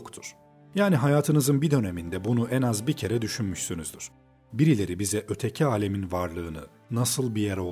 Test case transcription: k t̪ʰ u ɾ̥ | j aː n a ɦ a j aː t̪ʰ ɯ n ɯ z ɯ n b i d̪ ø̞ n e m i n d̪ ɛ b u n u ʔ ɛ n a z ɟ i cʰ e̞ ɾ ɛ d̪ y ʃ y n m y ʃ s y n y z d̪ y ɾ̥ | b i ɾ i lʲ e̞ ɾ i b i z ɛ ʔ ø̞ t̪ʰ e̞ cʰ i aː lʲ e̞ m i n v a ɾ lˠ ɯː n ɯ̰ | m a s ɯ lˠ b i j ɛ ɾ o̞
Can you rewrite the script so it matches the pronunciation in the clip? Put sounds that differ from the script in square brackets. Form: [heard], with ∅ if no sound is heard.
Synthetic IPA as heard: k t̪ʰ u ɾ̥ | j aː n [i] ɦ a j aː t̪ʰ ɯ n ɯ z ɯ n b i d̪ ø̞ n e m i n d̪ ɛ b u n u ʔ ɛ n a z [b] i cʰ e̞ ɾ ɛ d̪ y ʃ y n m y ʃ s y n y z d̪ y ɾ̥ | b i ɾ i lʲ e̞ ɾ i b i z ɛ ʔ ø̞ t̪ʰ e̞ cʰ i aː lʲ e̞ m i n v a ɾ lˠ ɯː n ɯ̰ | [n] a s ɯ lˠ b i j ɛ ɾ o̞